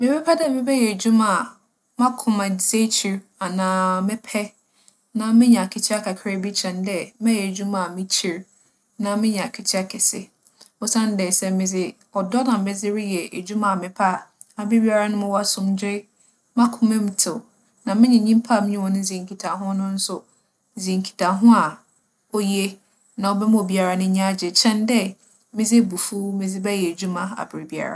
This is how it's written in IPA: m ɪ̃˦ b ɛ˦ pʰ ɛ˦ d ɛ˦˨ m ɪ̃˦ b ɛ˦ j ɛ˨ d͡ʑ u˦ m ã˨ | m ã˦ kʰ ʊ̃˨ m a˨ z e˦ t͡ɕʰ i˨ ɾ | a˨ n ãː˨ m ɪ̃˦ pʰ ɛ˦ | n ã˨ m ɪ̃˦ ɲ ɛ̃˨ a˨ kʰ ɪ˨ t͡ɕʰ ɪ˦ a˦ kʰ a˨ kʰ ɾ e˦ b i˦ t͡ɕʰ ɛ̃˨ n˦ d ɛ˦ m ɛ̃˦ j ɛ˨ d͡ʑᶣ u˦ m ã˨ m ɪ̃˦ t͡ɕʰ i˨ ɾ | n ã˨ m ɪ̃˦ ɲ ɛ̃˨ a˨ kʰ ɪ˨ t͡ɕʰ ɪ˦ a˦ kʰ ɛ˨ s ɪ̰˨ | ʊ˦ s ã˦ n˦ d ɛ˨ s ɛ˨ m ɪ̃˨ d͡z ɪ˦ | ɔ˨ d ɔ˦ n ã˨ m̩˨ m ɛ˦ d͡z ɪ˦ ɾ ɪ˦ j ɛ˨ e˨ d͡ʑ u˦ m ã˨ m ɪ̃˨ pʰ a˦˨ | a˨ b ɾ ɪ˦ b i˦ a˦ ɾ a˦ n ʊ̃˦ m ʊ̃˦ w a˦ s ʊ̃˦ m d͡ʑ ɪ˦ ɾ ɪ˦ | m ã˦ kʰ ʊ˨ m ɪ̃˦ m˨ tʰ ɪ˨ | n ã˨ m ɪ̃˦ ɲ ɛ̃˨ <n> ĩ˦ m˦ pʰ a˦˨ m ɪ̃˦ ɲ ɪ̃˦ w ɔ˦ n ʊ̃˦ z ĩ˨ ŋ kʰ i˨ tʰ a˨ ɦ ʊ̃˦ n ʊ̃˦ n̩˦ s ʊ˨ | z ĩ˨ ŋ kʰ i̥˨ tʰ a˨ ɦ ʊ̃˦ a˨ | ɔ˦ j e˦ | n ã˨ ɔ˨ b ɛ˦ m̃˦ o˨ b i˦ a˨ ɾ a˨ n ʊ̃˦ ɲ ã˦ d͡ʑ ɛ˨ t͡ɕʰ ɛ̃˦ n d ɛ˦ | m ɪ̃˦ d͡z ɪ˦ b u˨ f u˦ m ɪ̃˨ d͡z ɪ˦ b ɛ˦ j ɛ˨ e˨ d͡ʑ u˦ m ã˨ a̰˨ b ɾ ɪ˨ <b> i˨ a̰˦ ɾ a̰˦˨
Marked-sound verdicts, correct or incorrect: incorrect: ɲ, correct

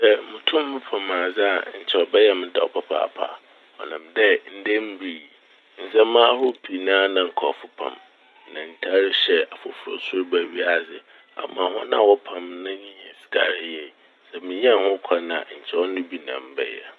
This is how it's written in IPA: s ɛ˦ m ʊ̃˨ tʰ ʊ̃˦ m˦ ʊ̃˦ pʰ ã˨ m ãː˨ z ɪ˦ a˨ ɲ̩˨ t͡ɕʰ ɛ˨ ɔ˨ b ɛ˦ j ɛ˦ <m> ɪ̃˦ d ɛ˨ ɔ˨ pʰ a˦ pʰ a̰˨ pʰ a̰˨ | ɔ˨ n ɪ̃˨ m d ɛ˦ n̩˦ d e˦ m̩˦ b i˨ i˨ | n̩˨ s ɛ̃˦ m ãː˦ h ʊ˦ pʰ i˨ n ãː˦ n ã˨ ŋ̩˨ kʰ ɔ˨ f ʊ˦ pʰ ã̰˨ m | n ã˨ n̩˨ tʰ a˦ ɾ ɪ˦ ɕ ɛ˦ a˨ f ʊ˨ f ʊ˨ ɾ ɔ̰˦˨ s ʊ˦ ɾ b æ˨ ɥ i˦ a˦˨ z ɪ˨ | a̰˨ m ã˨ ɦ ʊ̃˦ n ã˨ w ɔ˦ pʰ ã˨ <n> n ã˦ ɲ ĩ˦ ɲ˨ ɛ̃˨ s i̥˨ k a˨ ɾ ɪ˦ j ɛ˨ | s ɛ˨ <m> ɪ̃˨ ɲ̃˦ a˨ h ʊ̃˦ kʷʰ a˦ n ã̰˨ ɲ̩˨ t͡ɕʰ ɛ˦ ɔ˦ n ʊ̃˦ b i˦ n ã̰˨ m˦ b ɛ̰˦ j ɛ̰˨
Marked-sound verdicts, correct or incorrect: correct, incorrect: m, correct

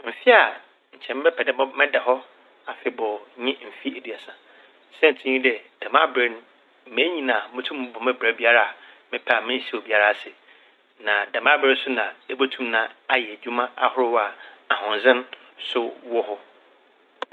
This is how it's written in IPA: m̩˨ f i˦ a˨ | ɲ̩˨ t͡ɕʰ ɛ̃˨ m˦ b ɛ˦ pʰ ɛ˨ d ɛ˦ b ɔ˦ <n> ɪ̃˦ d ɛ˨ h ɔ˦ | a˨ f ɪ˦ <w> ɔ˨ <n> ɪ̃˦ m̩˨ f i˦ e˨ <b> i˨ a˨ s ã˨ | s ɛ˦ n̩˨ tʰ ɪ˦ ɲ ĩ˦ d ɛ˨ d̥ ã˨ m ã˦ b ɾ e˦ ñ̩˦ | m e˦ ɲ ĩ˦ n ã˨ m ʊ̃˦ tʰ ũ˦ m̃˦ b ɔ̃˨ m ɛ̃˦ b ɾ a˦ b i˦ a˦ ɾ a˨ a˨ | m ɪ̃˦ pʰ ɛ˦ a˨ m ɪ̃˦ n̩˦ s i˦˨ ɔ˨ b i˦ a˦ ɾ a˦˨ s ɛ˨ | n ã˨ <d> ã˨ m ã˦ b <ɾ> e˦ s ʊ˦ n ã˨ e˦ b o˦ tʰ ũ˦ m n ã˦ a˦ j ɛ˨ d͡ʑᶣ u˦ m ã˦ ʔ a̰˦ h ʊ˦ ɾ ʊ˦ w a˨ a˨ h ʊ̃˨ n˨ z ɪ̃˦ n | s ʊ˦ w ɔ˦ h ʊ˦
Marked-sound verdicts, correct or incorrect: incorrect: m, incorrect: b, incorrect: ɲ, incorrect: d, correct, correct

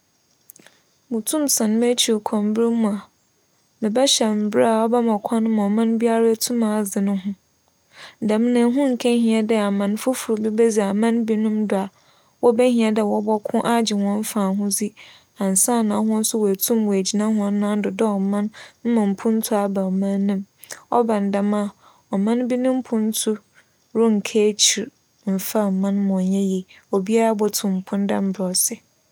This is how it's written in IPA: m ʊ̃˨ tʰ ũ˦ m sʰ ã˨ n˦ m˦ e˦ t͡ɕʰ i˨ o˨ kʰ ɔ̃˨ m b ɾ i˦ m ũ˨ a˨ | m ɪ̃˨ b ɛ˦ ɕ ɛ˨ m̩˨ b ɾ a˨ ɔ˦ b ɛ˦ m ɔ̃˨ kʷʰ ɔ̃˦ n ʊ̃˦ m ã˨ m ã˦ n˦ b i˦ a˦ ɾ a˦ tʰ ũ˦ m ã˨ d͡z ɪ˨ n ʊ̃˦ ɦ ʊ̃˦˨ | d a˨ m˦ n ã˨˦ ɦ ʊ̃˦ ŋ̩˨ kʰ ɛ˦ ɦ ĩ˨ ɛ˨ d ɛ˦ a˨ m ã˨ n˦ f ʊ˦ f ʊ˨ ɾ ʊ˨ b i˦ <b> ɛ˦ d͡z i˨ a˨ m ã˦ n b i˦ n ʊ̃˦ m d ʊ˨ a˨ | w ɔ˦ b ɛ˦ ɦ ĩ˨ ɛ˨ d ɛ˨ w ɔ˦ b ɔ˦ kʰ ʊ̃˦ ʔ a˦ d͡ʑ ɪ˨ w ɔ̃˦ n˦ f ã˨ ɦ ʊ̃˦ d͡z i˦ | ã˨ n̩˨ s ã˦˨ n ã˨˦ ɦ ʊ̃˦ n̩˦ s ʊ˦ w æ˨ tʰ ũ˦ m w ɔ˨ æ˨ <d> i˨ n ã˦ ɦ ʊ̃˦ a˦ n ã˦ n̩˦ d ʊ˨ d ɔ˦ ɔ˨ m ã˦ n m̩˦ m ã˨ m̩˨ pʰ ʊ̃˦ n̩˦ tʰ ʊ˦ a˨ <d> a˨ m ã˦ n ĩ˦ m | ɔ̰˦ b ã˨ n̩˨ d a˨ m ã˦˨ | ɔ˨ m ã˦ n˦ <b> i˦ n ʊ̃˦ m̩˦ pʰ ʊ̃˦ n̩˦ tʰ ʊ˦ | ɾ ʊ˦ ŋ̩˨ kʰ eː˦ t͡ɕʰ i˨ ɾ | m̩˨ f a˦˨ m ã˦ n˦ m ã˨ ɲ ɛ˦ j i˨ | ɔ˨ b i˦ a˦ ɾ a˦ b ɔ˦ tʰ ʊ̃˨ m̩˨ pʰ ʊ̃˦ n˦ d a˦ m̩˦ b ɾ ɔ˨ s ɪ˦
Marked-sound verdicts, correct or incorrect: correct, incorrect: d͡ʑ, incorrect: b, correct

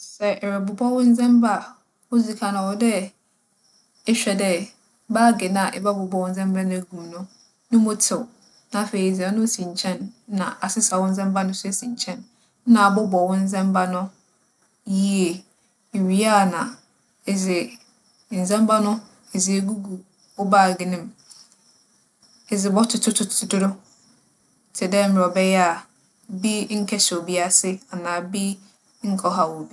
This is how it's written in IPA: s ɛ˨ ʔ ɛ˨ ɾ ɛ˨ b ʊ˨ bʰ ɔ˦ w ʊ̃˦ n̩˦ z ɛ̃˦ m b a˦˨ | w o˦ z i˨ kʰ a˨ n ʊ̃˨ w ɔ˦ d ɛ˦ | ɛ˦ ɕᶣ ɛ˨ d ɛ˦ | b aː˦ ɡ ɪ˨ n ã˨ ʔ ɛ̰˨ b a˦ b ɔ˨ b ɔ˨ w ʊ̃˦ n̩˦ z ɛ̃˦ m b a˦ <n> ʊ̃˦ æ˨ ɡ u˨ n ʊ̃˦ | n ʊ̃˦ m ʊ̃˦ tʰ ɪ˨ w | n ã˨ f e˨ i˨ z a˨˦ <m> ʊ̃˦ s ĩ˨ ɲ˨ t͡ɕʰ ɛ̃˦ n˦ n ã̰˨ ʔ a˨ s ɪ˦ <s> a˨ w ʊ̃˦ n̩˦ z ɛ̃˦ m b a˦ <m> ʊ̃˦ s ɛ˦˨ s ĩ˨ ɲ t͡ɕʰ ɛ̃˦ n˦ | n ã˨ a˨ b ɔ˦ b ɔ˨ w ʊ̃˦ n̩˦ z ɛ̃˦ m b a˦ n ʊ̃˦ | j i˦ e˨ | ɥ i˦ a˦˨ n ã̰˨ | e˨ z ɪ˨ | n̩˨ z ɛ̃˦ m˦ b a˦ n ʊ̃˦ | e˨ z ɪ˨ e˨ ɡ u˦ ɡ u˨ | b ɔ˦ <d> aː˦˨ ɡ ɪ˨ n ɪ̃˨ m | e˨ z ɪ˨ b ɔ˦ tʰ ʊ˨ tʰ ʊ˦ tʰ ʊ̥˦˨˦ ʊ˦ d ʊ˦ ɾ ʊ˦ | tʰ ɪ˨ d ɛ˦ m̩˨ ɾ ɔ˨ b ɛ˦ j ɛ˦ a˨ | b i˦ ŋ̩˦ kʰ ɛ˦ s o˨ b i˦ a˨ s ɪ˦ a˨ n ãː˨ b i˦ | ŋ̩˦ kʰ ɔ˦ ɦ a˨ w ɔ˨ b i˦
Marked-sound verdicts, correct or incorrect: correct, incorrect: n, correct, incorrect: n, incorrect: b

